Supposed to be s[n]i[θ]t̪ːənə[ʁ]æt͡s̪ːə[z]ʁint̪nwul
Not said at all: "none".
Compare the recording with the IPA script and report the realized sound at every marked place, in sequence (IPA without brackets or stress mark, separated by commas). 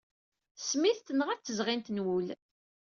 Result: m, θ, ʁ, z